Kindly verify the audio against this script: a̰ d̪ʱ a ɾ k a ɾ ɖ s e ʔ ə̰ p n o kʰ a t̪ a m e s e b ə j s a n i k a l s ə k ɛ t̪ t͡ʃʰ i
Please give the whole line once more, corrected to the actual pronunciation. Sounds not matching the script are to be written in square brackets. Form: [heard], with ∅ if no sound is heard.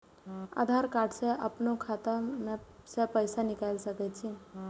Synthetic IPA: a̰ d̪ʱ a ɾ k a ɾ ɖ s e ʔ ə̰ p n o kʰ a t̪ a m e s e [p] ə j s a n i k a l s ə k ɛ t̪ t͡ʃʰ i